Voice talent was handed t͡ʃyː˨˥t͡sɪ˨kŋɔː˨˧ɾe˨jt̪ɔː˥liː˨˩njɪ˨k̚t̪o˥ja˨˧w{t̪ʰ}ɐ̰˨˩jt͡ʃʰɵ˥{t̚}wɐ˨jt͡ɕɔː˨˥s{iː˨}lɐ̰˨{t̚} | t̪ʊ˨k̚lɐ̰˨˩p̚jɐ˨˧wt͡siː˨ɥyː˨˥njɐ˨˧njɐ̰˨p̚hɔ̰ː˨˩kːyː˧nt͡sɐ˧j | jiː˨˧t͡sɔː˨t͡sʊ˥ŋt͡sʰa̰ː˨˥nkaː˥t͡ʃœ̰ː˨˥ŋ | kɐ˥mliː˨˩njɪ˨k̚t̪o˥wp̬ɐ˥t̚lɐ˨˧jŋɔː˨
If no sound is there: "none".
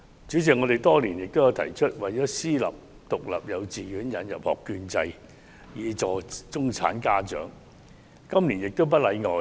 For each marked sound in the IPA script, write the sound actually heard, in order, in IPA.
t̪ʰ, t̚, iː˥, p̚

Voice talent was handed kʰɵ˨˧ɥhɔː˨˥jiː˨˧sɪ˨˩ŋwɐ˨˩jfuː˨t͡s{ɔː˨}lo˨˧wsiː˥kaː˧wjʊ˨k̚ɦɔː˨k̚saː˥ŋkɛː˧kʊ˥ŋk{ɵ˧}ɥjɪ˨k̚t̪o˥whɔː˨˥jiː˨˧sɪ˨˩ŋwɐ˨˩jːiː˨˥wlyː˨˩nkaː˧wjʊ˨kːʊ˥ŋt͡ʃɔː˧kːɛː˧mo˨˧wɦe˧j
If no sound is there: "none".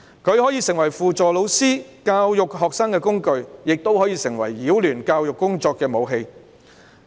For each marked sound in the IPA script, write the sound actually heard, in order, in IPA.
ɔː˨, ɵ˧

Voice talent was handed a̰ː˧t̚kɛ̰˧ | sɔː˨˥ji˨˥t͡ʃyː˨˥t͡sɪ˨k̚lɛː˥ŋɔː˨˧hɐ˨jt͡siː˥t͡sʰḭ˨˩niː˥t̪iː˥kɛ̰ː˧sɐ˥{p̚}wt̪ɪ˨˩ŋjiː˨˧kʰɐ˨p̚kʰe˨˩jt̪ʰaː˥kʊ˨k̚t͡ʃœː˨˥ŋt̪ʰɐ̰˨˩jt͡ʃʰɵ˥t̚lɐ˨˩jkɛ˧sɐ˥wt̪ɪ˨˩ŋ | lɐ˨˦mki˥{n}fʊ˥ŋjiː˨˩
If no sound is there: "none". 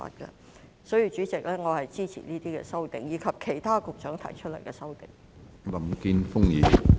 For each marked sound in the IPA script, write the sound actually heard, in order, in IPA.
none, n

